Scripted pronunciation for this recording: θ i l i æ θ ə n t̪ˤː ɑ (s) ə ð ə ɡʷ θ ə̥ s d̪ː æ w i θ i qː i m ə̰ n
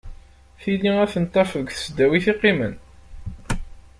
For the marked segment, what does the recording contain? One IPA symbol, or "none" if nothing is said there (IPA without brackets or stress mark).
f